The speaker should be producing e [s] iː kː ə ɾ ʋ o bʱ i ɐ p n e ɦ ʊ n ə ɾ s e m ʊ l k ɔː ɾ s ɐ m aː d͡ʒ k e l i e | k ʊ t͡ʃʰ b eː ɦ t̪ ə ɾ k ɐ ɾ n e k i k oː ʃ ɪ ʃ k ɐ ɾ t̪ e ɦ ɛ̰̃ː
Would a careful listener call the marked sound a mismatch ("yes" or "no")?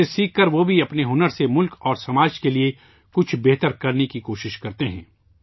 no